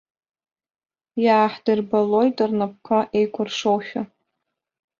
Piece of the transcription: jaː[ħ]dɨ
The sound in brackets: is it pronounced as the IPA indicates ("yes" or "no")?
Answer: yes